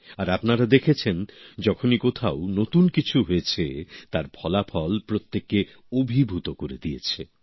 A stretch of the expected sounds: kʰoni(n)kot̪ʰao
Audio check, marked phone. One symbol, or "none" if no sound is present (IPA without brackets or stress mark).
none